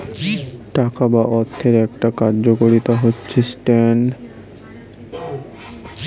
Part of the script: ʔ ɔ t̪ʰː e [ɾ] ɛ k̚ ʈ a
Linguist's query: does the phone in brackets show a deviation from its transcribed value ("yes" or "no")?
no